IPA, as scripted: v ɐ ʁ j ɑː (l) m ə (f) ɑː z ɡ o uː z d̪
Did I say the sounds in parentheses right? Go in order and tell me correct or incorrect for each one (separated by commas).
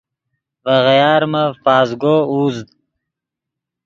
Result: incorrect, correct